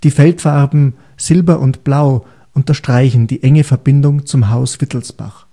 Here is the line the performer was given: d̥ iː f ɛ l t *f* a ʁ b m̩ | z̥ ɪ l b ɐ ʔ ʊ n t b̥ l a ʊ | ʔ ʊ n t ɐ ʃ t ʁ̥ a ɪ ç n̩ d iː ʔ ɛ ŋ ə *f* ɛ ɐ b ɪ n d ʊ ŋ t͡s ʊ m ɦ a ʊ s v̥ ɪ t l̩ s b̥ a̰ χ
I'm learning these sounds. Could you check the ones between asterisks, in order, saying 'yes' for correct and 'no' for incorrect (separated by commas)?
yes, yes